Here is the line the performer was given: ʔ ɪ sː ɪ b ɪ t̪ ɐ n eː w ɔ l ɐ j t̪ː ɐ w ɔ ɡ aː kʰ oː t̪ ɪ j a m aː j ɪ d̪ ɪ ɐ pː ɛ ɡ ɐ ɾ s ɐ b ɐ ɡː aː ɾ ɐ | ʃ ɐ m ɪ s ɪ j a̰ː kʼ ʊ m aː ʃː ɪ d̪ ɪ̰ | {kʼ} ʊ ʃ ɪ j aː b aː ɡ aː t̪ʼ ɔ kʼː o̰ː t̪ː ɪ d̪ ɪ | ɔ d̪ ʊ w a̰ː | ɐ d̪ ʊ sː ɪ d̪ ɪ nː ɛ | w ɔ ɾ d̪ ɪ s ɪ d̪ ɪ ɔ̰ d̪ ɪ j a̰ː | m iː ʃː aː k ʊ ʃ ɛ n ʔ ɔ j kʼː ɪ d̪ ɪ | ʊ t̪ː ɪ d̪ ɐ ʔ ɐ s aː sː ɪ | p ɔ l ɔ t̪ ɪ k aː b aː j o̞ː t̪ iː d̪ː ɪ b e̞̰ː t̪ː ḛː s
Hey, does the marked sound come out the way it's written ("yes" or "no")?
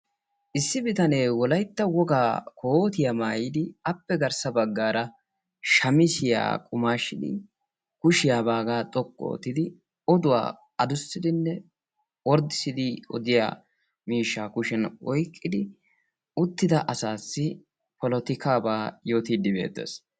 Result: no